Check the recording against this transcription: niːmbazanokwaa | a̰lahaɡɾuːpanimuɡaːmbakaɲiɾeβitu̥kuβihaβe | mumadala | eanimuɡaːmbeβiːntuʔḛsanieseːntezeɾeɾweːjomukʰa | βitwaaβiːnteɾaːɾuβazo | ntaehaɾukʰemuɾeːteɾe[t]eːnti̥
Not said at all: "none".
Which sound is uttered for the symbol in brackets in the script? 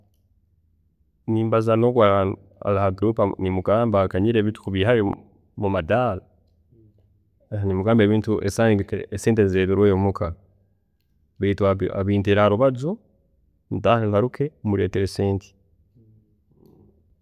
s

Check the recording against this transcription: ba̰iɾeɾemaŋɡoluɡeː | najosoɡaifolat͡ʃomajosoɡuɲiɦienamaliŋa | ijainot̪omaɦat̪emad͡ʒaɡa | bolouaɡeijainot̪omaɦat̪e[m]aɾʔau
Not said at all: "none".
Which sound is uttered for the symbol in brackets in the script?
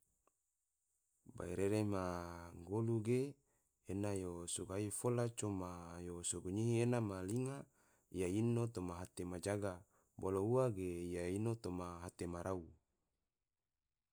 m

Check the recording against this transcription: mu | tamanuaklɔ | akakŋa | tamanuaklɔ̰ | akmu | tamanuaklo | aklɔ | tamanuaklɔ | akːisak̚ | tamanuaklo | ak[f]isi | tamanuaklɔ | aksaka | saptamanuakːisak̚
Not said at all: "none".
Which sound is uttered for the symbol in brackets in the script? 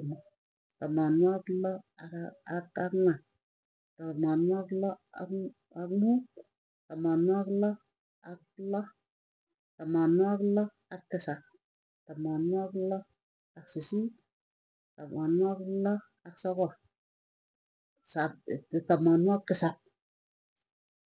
s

